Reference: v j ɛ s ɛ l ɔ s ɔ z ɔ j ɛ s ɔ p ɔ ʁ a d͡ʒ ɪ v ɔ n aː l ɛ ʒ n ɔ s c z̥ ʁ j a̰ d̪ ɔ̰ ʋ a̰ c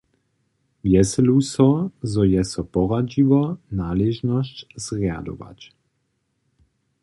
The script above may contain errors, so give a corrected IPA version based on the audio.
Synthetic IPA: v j ɛ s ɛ l u s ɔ z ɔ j ɛ s ɔ p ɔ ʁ a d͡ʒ i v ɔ n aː l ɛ ʒ n ɔ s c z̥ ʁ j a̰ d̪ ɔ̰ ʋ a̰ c